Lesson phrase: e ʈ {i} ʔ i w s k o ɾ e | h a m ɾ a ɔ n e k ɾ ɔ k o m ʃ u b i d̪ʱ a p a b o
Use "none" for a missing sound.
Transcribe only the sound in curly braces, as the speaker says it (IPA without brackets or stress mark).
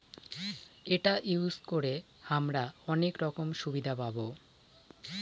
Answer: a